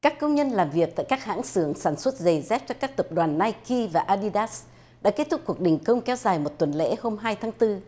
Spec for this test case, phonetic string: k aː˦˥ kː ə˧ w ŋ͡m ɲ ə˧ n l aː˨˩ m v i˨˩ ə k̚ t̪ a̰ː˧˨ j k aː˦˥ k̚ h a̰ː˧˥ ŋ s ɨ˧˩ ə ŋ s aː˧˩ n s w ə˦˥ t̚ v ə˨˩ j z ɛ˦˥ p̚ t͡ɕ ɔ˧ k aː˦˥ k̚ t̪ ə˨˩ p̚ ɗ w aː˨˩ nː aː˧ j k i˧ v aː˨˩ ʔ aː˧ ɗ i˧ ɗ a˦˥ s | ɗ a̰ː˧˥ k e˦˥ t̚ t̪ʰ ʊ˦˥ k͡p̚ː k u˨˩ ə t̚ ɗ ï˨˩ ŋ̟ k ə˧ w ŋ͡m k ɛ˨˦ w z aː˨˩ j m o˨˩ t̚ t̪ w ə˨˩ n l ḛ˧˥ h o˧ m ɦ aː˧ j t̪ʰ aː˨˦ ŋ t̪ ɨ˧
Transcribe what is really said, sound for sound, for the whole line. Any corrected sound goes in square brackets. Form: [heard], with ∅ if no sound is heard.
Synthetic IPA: k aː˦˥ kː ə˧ w ŋ͡m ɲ ə˧ n l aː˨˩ m v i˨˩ ə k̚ t̪ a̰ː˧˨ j k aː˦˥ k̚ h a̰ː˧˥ ŋ s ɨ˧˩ ə ŋ s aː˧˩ n s w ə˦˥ t̚ [z] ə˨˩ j z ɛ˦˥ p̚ t͡ɕ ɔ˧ k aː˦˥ k̚ t̪ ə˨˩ p̚ ɗ w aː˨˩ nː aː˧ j k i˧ v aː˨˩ ʔ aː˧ ɗ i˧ ɗ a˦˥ s | ɗ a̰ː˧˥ k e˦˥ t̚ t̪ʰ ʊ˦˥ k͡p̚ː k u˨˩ ə [k̚] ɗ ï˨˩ ŋ̟ k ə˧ w ŋ͡m k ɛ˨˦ w z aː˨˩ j m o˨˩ t̚ t̪ w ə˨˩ n l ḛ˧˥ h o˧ m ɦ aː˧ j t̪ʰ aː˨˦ ŋ t̪ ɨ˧